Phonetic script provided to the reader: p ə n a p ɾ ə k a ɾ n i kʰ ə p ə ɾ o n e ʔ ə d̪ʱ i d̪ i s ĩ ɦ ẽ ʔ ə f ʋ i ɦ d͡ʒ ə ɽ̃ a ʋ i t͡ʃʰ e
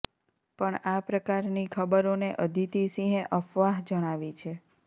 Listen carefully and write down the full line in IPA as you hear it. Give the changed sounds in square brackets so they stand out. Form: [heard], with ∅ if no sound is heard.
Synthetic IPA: p ə [ɳ] a p ɾ ə k a ɾ n i kʰ ə [b] ə ɾ o n e ʔ ə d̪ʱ i [t̪] i s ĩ ɦ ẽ ʔ ə f ʋ [a] ɦ d͡ʒ ə ɽ̃ a ʋ i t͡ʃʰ e